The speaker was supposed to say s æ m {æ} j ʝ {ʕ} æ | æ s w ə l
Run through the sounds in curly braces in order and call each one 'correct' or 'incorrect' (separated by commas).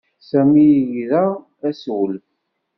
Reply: incorrect, incorrect